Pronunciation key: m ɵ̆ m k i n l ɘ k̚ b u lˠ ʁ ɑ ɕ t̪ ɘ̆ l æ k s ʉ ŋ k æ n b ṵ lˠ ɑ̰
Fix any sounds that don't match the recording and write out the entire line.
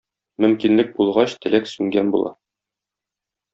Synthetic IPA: m ɵ̆ m k i n l ɘ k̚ b u lˠ ʁ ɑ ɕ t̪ ɘ̆ l æ k s ʉ ŋ ɡ æ n b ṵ lˠ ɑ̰